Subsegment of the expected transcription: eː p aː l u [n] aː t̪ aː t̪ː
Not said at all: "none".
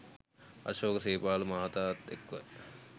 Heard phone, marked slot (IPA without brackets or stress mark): m